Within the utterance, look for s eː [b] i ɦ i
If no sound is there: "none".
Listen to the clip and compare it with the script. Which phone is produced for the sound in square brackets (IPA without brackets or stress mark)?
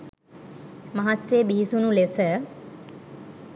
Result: b